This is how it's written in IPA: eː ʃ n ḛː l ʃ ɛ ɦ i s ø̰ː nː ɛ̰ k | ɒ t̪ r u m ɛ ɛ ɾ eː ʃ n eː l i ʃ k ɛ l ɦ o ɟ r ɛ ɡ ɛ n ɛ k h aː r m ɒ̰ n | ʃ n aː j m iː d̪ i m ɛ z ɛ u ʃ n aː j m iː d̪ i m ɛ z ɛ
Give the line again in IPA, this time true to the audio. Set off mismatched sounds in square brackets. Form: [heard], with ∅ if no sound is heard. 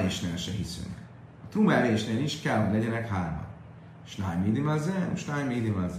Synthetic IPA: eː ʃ n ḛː l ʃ ɛ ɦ i s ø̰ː [n] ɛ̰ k | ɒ t̪ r u m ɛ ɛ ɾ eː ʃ n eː l i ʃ k ɛ l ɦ o ɟ [l] ɛ [ɟ] ɛ n ɛ k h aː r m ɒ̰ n | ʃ n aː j m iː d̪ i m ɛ z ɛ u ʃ n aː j m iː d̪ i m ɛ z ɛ